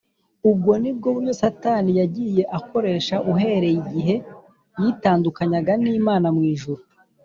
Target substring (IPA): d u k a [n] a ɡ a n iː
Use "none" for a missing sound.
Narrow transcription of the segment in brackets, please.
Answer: ɲ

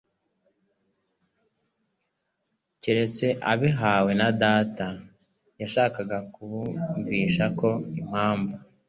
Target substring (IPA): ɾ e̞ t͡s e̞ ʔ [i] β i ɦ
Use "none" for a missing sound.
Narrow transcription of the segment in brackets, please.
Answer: a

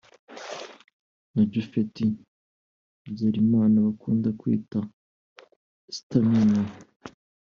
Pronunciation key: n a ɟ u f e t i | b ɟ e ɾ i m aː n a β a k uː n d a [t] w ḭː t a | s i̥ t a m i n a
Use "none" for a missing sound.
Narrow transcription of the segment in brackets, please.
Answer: k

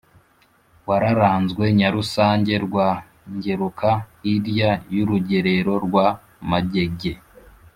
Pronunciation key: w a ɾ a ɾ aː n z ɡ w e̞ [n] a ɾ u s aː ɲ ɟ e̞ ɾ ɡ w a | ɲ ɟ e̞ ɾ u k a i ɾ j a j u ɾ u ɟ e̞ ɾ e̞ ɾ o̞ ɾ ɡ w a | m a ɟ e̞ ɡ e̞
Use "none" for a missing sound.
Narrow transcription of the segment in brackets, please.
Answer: ɲ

